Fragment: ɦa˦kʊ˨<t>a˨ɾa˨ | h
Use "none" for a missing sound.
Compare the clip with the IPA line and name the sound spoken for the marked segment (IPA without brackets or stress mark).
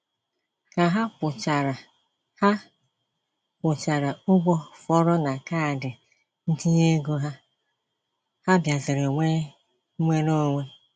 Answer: t͡ʃ